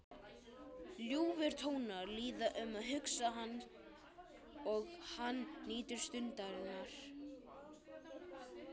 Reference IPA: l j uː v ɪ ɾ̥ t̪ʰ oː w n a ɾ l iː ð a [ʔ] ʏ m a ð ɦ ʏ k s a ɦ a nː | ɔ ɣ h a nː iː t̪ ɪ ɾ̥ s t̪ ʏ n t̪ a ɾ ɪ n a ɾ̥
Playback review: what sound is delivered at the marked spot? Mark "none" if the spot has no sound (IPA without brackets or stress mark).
ʔ